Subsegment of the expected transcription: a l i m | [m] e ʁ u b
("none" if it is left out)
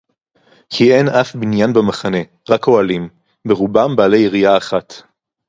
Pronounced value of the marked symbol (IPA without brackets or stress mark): b